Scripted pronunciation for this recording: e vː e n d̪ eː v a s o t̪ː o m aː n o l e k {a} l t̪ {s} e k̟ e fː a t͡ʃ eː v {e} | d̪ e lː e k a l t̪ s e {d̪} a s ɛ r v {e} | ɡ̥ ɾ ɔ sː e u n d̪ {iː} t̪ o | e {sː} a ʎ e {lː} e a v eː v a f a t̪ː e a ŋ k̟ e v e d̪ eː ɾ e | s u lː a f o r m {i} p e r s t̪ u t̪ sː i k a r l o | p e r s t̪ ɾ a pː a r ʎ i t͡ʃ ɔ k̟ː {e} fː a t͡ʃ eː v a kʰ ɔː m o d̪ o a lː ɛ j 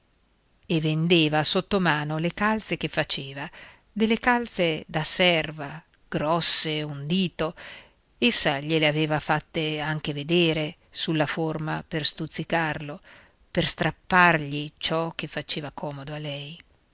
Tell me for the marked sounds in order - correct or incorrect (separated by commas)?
correct, correct, incorrect, correct, incorrect, correct, correct, incorrect, incorrect, correct